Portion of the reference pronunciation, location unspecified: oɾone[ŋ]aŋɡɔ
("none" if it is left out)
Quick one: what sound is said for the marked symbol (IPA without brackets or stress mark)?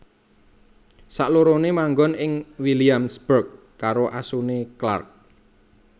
m